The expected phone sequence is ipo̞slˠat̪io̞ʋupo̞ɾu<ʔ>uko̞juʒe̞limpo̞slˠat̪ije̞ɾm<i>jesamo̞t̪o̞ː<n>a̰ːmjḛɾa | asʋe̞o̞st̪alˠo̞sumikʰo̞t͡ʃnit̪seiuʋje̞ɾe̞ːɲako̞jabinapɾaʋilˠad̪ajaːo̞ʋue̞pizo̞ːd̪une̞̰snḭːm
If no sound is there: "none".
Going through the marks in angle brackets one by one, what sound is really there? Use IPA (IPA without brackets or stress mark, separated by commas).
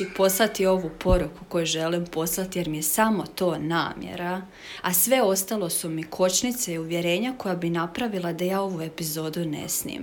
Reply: k, i, n